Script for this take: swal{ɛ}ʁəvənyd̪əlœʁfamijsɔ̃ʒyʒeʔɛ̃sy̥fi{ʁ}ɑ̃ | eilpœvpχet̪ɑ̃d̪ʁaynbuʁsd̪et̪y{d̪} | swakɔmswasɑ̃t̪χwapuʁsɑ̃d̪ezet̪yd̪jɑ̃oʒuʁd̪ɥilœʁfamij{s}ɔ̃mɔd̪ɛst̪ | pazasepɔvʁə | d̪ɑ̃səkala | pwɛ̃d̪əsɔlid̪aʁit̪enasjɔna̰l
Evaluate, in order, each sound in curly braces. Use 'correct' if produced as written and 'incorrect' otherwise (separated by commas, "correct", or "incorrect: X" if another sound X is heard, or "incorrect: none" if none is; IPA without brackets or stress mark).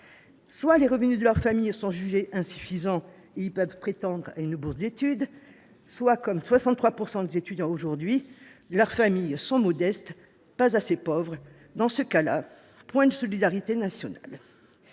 incorrect: e, incorrect: z, correct, correct